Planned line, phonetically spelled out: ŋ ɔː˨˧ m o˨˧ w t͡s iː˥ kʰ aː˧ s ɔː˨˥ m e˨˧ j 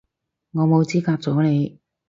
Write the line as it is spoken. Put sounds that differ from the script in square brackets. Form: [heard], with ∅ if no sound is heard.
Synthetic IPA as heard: ŋ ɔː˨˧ m o˨˧ w t͡s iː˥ [k] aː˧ [t͡s] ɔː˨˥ [n] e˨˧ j